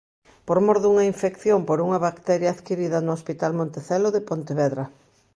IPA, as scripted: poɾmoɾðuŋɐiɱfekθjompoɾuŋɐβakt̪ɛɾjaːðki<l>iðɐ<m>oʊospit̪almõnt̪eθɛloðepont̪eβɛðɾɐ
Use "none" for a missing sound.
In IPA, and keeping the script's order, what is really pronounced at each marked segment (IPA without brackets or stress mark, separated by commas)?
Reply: ɾ, n